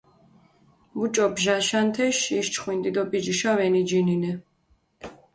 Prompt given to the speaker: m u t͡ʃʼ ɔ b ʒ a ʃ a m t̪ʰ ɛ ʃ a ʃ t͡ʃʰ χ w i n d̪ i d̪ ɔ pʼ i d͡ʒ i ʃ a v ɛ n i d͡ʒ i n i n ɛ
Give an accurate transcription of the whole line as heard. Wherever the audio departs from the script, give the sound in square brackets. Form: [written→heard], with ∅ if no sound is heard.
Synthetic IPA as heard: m u t͡ʃʼ ɔ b ʒ a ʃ a [m→n] t̪ʰ ɛ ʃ [a→i] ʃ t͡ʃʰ χ w i n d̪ i d̪ ɔ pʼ i d͡ʒ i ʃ a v ɛ n i d͡ʒ i n i n ɛ